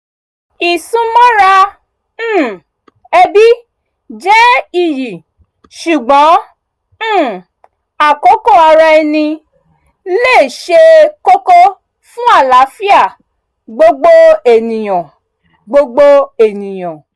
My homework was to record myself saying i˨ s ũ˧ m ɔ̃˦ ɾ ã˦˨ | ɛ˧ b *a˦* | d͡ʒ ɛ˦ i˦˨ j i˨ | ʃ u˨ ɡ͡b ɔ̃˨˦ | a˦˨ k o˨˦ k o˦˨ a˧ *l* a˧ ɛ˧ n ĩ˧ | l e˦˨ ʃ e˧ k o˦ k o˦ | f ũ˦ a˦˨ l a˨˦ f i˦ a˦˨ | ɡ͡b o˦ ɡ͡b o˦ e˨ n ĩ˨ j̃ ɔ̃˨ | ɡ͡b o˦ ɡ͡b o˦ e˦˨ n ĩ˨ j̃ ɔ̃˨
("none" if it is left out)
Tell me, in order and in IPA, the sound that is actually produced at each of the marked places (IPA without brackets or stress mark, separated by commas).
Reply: i˦, ɾ